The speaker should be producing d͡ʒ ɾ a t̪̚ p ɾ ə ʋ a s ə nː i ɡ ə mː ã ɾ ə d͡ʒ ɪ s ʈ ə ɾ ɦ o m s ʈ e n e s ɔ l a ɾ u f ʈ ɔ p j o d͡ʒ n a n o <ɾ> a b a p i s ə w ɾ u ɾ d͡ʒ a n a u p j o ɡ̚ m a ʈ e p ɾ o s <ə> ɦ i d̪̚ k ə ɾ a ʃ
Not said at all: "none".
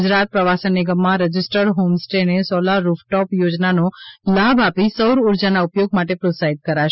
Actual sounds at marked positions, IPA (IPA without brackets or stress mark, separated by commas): l, a